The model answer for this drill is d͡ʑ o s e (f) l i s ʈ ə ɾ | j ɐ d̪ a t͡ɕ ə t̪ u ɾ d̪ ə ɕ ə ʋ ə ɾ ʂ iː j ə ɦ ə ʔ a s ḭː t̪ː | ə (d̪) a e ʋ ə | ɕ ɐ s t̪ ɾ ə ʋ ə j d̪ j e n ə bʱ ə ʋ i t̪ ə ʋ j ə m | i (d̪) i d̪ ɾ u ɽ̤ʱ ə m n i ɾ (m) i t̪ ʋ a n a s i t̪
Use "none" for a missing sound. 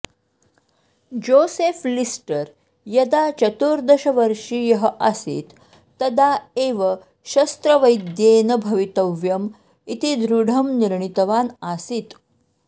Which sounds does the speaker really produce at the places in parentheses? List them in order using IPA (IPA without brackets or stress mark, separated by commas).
f, d̪, t̪, ɳ